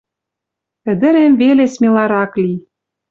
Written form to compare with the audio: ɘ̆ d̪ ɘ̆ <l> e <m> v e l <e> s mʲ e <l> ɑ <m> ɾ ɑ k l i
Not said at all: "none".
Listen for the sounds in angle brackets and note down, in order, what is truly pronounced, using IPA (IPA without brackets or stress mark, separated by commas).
ɾ, m, e, l, none